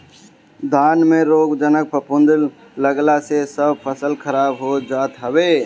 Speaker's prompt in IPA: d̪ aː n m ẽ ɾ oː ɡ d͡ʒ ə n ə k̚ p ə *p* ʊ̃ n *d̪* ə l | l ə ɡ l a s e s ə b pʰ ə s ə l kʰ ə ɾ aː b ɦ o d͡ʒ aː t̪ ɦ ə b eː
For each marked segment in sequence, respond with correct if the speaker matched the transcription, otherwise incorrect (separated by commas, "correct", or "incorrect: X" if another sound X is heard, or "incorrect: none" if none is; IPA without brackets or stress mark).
correct, correct